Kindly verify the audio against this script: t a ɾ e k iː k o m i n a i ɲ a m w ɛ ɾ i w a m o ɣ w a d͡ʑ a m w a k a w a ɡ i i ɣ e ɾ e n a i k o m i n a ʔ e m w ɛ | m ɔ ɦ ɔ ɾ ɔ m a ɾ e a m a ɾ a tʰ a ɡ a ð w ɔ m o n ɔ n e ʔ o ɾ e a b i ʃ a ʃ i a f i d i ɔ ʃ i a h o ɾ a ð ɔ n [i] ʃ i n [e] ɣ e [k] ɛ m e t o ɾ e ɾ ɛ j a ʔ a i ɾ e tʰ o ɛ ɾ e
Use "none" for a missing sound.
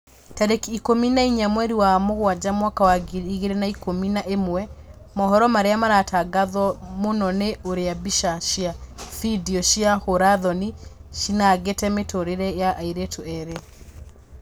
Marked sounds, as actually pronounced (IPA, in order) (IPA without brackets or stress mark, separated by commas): i, a, t